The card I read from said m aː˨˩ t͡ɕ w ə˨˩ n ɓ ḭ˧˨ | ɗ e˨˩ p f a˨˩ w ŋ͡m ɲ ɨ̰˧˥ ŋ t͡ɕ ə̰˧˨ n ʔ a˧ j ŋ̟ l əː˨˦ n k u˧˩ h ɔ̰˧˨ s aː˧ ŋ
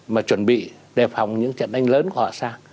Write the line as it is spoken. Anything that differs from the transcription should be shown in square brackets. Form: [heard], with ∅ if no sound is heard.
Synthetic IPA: m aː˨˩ t͡ɕ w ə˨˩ n ɓ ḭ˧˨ | ɗ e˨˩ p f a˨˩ w ŋ͡m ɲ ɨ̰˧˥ ŋ t͡ɕ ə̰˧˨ n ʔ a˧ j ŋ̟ l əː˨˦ n k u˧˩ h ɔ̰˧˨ s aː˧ ŋ